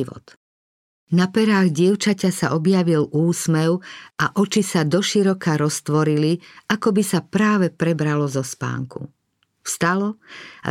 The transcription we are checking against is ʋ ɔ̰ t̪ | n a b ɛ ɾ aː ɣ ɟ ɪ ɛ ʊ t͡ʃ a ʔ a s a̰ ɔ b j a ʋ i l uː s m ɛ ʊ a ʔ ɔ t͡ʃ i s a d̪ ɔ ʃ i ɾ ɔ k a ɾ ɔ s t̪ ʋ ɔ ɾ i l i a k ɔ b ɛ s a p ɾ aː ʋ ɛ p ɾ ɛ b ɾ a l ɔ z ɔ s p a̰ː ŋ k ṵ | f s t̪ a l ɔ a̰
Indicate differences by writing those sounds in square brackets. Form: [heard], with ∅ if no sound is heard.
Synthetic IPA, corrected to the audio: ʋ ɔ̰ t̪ | n a [p] ɛ ɾ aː ɣ ɟ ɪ ɛ ʊ t͡ʃ a [c] a s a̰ ɔ b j a ʋ i l uː s m ɛ ʊ a ʔ ɔ t͡ʃ i s a d̪ ɔ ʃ i ɾ ɔ k a ɾ ɔ s t̪ ʋ ɔ ɾ i l i a k ɔ b [i] s a p ɾ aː ʋ ɛ p ɾ ɛ b ɾ a l ɔ z ɔ s p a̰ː ŋ k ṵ | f s t̪ a l ɔ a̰